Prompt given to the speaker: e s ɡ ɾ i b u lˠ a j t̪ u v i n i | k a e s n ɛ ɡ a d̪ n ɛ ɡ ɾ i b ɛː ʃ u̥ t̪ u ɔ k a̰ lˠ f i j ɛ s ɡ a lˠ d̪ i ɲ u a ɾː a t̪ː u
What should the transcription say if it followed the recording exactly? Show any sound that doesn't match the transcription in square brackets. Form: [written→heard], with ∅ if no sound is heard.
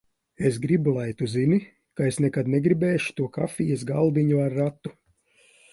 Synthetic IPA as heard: e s ɡ ɾ i b u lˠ a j t̪ u [v→z] i n i | k a e s n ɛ [ɡ→k] a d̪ n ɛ ɡ ɾ i b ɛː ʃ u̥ t̪ u ɔ k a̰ [lˠ→∅] f i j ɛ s ɡ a lˠ d̪ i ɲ u a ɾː a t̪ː u